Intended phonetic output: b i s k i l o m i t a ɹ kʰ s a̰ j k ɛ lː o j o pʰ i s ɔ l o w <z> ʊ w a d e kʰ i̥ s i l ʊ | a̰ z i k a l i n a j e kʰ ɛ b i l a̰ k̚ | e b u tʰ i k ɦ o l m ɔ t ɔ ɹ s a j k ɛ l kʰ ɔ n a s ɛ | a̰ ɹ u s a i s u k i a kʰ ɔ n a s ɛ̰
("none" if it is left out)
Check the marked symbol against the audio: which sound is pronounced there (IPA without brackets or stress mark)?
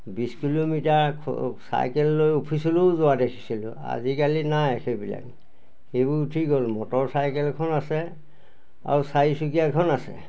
z